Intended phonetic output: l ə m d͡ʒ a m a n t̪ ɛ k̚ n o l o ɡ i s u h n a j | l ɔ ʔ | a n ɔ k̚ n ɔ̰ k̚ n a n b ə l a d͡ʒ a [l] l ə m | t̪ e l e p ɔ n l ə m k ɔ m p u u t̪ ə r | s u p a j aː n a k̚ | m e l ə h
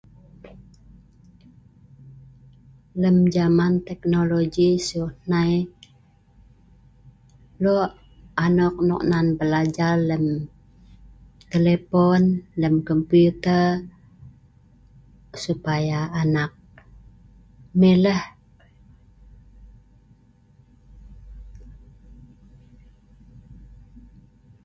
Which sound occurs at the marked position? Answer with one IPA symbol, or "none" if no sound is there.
r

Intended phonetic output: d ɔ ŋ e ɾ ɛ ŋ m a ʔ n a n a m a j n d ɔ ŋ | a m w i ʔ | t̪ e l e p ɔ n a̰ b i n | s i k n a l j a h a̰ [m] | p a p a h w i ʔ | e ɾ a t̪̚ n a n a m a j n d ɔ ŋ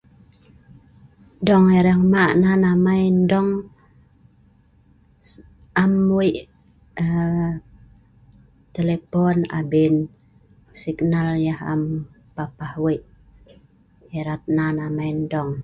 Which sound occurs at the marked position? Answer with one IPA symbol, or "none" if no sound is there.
m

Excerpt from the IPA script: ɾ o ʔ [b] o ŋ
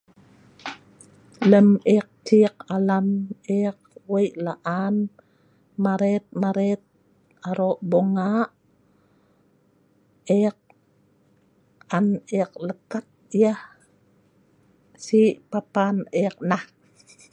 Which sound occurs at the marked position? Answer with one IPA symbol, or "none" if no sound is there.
b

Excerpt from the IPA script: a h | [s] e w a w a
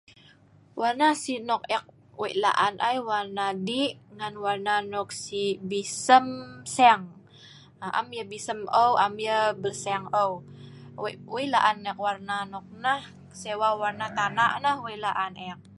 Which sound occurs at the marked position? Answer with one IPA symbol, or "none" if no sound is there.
s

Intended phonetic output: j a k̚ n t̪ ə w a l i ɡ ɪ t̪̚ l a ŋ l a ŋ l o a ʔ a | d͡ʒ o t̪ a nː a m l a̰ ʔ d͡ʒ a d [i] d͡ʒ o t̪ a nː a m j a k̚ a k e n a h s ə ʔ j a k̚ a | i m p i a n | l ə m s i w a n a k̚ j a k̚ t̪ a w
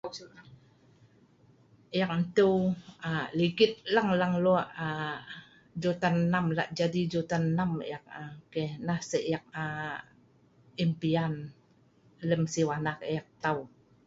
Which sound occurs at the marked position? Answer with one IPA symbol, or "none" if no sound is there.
i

